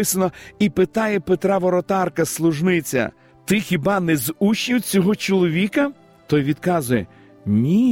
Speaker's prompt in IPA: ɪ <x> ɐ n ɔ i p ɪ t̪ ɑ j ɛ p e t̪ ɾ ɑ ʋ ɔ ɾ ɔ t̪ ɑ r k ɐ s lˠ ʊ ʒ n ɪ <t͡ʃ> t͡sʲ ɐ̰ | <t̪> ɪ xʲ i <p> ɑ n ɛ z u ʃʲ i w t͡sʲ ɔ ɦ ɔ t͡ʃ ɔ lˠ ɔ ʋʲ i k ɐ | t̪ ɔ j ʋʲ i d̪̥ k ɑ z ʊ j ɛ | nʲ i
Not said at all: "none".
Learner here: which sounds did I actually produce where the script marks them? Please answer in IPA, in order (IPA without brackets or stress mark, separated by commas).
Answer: s, none, t̪, b